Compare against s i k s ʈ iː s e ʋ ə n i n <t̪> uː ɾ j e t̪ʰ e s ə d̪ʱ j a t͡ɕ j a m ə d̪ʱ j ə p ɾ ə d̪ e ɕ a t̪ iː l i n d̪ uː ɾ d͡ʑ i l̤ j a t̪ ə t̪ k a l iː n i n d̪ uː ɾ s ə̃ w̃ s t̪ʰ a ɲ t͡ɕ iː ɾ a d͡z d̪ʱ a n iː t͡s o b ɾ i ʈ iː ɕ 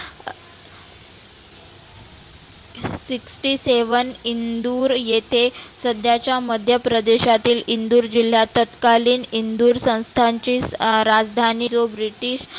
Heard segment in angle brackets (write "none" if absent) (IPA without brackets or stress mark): d̪